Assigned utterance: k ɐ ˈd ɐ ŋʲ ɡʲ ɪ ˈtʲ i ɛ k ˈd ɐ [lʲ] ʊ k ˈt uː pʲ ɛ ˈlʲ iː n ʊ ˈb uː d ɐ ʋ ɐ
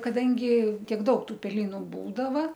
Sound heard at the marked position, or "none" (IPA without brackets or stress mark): none